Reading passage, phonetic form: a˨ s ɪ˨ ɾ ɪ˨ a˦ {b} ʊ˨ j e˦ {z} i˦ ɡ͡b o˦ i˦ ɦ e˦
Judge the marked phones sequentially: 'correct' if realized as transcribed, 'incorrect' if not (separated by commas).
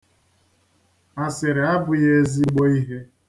correct, correct